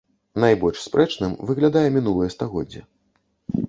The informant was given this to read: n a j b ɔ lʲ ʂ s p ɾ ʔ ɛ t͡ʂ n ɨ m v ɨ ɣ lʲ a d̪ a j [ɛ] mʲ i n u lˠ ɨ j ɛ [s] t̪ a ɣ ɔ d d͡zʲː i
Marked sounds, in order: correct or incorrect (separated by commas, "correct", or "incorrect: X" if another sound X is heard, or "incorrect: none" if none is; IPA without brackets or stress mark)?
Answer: correct, correct